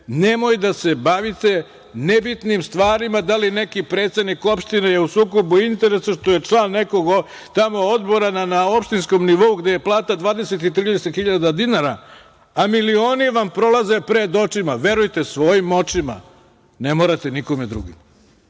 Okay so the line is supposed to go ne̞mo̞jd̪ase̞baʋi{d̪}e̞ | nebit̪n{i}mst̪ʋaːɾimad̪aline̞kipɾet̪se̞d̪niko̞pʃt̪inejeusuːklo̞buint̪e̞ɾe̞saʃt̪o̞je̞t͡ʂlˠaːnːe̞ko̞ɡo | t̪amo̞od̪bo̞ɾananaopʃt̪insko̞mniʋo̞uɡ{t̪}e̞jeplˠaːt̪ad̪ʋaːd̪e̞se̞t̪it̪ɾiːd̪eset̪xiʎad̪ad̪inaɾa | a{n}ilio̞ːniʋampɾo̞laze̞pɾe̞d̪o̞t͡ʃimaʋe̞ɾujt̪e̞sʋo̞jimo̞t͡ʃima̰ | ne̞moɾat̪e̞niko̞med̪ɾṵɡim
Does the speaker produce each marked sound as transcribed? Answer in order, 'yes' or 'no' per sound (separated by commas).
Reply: no, yes, no, no